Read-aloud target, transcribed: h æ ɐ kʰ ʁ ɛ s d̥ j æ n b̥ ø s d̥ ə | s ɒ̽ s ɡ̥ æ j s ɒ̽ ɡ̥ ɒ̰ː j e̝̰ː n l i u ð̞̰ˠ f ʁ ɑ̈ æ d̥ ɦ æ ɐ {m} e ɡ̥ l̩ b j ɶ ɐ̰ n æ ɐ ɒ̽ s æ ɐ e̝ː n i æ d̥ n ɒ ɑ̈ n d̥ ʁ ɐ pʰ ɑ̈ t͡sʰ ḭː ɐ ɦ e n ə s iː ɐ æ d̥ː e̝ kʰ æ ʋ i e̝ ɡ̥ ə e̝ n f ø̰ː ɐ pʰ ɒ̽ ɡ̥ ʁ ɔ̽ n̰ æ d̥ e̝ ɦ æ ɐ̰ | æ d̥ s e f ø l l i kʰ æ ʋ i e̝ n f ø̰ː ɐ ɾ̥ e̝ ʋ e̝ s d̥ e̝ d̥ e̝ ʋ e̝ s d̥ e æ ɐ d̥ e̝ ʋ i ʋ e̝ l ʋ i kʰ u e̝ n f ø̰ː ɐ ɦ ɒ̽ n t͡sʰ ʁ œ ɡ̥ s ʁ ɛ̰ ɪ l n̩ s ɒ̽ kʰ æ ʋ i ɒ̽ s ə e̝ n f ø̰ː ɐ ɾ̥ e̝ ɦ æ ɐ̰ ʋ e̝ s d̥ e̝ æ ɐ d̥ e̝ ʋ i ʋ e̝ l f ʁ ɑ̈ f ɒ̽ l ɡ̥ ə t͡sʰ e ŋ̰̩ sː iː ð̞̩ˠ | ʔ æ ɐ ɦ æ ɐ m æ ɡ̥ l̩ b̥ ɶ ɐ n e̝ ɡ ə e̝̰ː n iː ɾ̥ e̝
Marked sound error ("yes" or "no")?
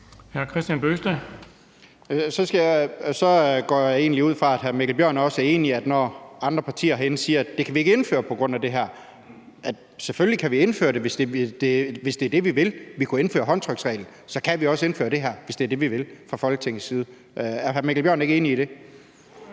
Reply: no